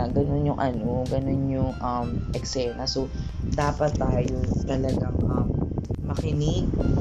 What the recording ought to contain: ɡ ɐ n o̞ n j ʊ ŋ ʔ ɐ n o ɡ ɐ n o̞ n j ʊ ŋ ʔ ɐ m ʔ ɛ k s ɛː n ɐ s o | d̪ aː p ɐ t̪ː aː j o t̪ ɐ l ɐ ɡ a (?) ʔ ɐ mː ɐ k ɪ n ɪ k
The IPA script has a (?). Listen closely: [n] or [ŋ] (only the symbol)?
ŋ